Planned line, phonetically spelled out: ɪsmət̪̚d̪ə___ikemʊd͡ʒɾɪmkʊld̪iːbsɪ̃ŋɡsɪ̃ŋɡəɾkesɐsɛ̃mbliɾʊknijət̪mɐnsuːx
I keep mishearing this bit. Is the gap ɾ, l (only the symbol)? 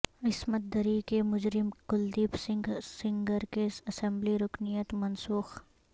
ɾ